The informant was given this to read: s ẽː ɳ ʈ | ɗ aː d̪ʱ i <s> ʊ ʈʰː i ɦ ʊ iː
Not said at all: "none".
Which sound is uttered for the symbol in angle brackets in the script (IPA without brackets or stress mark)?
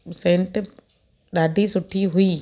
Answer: s